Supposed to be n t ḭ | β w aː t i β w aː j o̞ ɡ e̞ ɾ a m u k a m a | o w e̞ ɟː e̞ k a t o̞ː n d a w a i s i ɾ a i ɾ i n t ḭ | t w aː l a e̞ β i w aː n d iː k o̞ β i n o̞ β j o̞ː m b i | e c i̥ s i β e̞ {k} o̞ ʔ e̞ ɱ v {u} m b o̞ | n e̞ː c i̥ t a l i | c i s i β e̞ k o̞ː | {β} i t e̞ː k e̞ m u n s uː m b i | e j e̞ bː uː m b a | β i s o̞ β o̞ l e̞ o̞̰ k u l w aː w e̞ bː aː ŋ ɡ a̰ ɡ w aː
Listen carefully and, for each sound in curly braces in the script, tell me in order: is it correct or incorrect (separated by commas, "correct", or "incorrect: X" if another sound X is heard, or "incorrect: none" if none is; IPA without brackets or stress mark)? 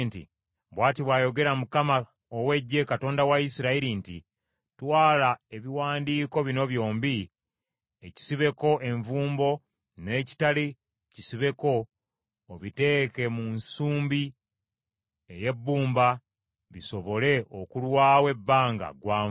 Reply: correct, incorrect: uː, correct